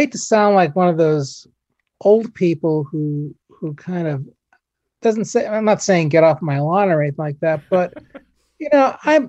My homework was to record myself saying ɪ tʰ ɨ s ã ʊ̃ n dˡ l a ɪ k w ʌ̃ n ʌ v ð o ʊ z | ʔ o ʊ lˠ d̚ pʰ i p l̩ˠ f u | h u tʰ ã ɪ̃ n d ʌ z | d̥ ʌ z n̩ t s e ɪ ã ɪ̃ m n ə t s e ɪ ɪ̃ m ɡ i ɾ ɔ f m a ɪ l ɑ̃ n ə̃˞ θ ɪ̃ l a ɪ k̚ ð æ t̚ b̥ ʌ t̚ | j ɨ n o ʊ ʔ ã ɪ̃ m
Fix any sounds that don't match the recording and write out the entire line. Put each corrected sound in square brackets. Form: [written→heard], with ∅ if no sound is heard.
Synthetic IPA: ɪ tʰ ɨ s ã ʊ̃ n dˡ l a ɪ k w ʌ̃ n ʌ v ð o ʊ z | ʔ o ʊ lˠ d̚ pʰ i p l̩ˠ [f→h] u | h u [tʰ→kʰ] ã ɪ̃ n d ʌ [z→v] | d̥ ʌ z n̩ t s e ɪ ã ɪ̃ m n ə t s e ɪ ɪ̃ [m→ŋ] ɡ [i→ɛ] ɾ ɔ f m a ɪ l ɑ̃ n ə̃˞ θ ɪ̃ l a ɪ k̚ ð æ t̚ b̥ ʌ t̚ | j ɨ n o ʊ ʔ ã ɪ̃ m